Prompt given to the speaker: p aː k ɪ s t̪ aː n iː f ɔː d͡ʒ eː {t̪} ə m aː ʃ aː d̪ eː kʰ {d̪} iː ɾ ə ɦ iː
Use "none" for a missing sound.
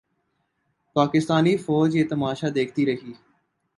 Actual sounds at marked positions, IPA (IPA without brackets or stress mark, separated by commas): t̪, t̪